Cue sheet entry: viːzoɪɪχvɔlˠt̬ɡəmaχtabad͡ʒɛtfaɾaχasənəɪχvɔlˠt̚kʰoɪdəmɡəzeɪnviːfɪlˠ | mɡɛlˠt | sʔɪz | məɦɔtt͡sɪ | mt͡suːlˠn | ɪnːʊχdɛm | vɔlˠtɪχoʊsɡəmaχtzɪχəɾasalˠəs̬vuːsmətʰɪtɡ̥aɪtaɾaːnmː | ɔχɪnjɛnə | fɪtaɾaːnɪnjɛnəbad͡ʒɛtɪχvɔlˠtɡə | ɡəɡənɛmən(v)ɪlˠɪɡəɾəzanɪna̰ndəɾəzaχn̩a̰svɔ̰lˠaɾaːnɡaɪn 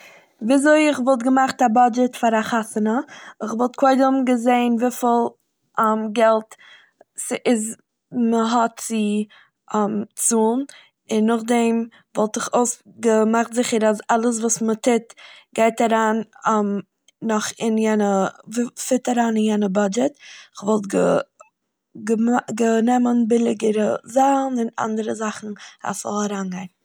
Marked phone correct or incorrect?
incorrect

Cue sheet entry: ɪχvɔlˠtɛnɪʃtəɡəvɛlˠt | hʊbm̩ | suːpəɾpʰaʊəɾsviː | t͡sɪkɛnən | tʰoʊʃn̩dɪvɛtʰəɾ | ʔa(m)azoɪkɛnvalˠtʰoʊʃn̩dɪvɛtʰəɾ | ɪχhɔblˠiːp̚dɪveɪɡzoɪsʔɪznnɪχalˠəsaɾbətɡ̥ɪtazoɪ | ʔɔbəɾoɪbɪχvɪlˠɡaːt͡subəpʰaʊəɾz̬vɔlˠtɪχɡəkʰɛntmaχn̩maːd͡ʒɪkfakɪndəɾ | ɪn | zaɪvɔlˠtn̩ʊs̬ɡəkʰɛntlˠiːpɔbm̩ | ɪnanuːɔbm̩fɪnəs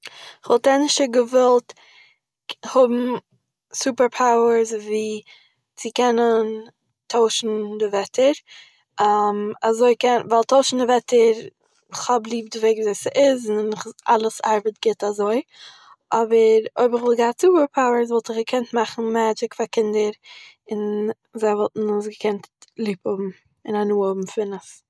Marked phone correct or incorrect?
correct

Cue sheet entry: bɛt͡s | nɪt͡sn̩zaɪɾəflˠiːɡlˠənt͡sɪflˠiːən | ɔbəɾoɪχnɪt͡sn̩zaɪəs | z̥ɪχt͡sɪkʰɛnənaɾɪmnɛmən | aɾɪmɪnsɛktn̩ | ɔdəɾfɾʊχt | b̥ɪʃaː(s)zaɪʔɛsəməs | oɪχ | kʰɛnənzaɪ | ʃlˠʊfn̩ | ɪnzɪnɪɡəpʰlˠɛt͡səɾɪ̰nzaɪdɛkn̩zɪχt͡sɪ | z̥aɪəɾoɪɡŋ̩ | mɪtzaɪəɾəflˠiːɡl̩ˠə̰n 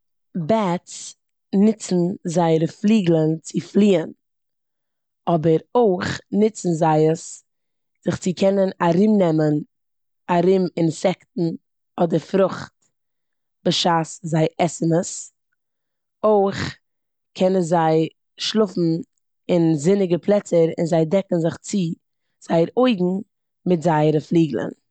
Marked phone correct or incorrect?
correct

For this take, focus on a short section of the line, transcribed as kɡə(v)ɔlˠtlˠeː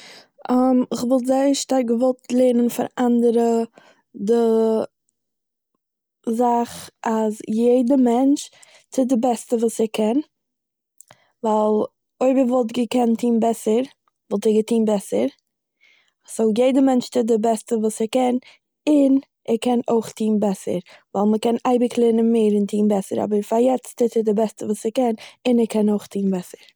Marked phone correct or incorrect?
correct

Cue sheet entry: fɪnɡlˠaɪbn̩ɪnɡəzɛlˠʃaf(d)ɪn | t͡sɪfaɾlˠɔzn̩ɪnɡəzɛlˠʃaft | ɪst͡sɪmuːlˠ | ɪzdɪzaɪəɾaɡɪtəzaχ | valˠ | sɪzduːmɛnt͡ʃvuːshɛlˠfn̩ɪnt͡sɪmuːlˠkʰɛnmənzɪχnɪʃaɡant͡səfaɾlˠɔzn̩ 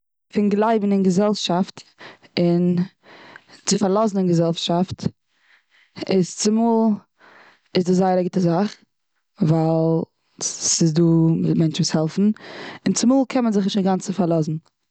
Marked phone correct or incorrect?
incorrect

